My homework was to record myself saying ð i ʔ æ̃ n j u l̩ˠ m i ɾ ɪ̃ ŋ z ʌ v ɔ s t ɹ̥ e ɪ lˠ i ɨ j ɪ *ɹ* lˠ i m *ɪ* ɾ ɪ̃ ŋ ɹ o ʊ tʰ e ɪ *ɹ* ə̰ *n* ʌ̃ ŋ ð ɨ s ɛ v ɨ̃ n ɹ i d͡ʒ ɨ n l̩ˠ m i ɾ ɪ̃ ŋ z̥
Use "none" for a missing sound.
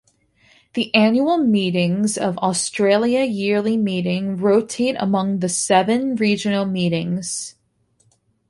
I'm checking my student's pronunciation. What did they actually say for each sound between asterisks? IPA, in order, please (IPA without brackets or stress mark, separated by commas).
ɹ, i, ɾ, m